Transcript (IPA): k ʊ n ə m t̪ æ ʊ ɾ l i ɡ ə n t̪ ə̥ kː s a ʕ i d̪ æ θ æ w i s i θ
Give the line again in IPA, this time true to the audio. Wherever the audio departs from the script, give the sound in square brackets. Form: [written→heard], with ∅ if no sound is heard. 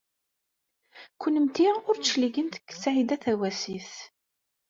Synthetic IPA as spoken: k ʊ n ə m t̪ [æ→i] ʊ ɾ l i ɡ ə n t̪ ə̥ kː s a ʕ i d̪ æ θ æ w [i→æ] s i θ